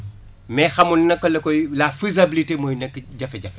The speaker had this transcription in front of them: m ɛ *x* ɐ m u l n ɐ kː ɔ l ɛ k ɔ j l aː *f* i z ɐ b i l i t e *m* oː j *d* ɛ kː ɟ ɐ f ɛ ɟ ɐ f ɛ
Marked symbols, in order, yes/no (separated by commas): yes, yes, yes, no